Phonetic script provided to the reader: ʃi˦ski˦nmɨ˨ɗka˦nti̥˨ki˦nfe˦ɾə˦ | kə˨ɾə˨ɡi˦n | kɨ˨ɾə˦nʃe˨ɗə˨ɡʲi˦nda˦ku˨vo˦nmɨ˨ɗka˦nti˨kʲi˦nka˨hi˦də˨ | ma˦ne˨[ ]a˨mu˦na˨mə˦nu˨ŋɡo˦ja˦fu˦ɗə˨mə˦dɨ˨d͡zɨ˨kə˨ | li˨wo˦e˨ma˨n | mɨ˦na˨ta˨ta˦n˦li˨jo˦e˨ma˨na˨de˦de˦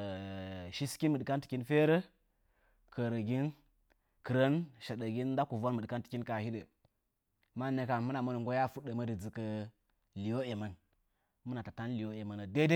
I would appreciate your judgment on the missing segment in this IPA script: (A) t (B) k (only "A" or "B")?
B